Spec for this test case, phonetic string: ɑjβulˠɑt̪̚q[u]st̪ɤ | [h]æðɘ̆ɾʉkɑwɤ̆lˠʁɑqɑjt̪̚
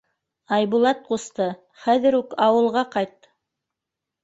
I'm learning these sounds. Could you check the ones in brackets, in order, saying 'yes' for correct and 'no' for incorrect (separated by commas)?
yes, no